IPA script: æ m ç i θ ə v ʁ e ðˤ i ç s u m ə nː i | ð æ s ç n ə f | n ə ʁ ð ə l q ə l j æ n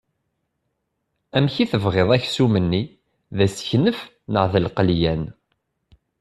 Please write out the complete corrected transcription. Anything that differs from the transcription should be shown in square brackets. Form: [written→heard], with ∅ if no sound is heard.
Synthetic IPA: æ m ç i θ ə v ʁ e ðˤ [i→æ] ç s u m ə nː i | ð æ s ç n ə f | n ə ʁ ð ə l q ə l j æ n